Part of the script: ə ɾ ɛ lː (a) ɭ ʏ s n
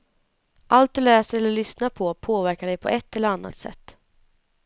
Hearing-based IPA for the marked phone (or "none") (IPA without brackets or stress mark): ə